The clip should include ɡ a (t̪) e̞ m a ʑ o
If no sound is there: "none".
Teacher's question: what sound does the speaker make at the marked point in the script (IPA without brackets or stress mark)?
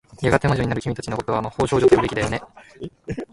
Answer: t̪